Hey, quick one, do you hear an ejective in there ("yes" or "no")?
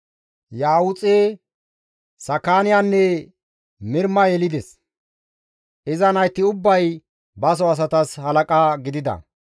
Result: yes